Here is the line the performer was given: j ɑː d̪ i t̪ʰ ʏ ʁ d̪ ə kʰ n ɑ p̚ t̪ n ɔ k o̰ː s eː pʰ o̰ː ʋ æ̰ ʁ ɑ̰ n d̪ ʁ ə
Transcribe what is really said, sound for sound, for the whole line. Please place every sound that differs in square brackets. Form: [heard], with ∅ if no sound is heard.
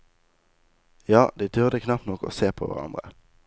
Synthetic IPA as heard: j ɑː d̪ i t̪ʰ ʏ ʁ d̪ ə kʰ n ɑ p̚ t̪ n ɔ k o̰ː s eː pʰ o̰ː ʋ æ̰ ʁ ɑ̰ n d̪ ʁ ə